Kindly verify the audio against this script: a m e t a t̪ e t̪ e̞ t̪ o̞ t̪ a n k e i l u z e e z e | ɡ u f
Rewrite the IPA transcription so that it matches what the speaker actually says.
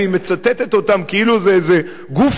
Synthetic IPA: i m e t͡s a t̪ e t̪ e̞ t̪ o̞ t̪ a m k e i l u z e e z e | ɡ u f